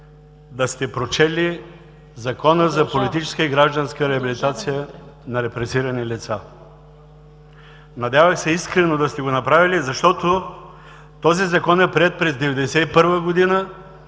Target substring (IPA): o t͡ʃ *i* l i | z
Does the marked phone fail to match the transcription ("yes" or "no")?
yes